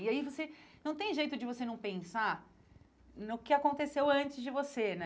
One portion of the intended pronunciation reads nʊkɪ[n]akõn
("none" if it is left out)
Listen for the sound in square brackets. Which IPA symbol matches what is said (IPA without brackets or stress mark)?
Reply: none